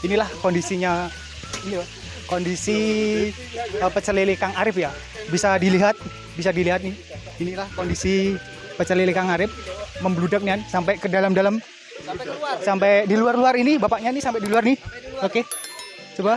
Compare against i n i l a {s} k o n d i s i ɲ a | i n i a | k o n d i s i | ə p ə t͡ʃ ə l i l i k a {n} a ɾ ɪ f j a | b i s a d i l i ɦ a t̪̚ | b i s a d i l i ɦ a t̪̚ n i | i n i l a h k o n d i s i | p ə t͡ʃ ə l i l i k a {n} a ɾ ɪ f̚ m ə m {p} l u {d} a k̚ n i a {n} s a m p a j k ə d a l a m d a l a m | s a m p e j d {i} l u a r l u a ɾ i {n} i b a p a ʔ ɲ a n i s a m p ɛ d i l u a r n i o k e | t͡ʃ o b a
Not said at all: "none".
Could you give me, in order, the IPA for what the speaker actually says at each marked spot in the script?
h, ŋ, ŋ, b, d, n, i, n

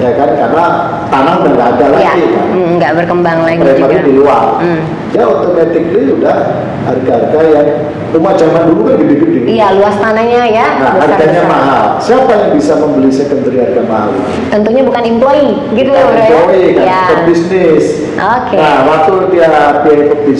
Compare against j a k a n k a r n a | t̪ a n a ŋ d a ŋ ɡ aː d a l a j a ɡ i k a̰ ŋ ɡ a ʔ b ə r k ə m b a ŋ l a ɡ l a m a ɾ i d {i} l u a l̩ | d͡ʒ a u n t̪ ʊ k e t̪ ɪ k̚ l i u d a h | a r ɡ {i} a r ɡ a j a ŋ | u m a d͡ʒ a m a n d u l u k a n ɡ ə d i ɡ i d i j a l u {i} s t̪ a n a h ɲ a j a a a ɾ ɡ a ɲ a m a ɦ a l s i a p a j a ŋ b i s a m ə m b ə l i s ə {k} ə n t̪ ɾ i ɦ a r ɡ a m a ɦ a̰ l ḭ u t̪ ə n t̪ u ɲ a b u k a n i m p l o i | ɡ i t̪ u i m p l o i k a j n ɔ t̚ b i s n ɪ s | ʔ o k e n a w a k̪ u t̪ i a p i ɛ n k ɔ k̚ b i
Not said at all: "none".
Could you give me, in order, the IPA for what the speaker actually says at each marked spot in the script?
i, a, a, k

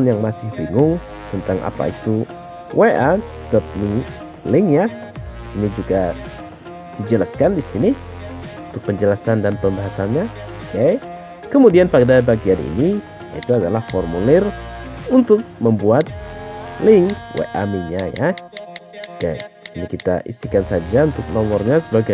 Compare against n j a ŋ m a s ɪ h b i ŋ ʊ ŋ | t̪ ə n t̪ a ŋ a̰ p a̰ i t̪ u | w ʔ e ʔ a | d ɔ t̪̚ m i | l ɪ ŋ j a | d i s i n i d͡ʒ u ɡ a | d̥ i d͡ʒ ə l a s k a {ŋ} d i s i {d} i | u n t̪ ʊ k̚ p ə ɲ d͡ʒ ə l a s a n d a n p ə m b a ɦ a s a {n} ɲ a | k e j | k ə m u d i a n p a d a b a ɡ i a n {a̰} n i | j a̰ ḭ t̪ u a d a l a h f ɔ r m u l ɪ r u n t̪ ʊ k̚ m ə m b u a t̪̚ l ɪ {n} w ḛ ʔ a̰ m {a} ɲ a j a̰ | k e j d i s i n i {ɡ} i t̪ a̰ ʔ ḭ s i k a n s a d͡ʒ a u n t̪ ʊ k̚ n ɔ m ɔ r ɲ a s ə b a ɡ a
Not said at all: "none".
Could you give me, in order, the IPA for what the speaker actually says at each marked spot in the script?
n, n, n, ḭ, ŋ, i, k

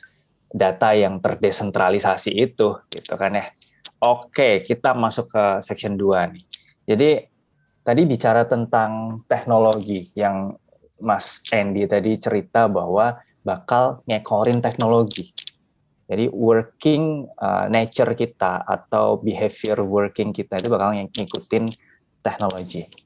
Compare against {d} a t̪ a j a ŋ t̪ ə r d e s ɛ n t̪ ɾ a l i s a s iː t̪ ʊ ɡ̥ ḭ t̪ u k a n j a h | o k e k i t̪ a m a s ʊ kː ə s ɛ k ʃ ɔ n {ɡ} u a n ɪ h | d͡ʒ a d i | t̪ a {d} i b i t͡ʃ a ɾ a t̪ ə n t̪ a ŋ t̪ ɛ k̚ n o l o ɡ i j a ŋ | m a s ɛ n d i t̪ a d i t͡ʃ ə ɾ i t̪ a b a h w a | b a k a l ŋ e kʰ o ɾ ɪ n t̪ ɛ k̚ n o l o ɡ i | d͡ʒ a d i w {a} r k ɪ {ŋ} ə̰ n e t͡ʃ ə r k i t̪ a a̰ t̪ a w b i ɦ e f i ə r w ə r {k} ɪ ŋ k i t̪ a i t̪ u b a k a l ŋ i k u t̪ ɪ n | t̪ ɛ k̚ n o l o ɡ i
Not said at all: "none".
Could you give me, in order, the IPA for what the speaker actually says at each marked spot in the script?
d, d, d, ə, ŋ, k

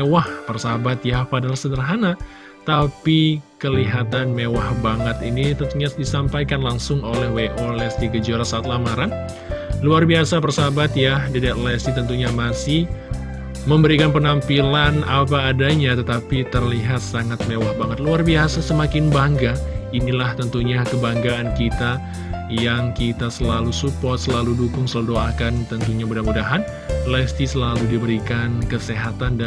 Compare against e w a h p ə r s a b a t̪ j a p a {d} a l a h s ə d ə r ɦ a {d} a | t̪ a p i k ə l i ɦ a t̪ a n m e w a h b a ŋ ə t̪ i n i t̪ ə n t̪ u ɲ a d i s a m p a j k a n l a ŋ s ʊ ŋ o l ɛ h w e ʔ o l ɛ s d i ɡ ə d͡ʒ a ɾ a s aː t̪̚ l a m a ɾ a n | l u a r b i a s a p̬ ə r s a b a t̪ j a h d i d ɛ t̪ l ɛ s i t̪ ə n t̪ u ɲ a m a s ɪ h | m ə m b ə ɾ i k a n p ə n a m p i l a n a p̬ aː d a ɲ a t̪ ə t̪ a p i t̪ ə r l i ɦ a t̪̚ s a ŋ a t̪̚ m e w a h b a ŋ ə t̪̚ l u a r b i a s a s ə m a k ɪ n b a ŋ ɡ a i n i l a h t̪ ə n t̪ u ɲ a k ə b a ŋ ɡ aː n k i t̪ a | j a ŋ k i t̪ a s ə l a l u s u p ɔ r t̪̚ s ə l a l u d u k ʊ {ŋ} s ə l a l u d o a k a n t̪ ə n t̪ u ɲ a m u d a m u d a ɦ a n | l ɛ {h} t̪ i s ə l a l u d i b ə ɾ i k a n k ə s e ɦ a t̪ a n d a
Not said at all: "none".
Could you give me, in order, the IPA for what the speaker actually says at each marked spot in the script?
d, n, ŋ, s

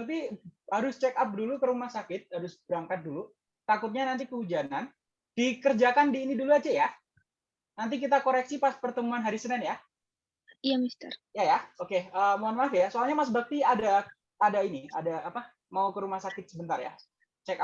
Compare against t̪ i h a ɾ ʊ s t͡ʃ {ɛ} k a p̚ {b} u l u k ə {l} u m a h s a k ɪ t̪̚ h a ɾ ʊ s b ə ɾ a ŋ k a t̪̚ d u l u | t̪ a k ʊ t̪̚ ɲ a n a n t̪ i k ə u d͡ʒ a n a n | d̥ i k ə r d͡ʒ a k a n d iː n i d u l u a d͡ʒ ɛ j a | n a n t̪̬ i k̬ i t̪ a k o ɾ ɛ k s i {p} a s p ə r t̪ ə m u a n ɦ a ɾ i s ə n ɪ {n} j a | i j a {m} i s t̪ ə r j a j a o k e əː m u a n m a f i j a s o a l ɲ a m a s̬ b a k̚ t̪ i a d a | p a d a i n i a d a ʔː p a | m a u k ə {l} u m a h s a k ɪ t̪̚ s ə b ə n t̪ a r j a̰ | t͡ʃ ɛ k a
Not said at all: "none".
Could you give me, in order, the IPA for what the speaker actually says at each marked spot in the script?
ɛ, d, ɾ, p, n, m, ɾ

